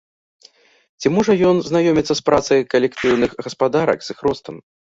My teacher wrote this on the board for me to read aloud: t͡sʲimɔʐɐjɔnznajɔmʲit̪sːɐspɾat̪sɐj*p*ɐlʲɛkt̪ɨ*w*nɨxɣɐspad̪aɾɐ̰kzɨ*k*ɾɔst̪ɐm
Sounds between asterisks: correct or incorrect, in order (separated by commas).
incorrect, correct, incorrect